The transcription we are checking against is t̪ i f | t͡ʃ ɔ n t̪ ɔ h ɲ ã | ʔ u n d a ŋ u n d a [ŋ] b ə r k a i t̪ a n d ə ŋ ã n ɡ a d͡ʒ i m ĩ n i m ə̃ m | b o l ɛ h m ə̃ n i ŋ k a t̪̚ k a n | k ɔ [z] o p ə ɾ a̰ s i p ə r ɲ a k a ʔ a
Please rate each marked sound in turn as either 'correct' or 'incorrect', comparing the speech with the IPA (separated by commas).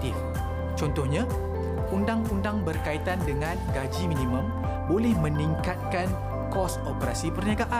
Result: correct, incorrect